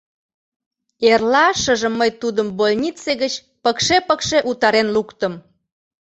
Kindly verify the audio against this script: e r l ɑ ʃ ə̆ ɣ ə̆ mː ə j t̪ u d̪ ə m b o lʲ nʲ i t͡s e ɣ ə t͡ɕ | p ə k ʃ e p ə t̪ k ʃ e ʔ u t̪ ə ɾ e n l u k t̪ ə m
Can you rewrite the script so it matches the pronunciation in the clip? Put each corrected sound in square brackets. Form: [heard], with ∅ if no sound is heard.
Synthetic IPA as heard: e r l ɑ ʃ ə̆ [ʒ] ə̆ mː ə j t̪ u d̪ ə m b o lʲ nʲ i t͡s e ɣ ə t͡ɕ | p ə k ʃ e p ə [∅] k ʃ e ʔ u t̪ [ɑ] ɾ e n l u k t̪ ə m